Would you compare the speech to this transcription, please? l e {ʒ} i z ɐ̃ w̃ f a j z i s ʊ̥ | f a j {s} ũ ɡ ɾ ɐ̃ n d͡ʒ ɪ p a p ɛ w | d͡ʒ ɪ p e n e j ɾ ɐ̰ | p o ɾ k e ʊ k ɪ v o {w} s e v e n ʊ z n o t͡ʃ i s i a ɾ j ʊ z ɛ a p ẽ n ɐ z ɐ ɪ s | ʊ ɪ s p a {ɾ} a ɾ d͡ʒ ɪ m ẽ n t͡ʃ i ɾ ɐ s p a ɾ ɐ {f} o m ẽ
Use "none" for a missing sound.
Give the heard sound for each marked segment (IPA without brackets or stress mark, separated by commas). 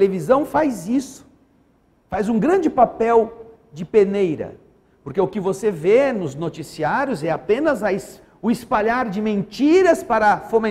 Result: v, z, none, ʎ, f